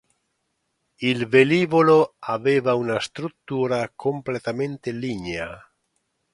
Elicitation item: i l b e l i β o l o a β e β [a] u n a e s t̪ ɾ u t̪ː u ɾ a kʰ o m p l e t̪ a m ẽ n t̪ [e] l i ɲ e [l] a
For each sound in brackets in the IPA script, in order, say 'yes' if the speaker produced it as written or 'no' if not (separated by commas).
yes, yes, no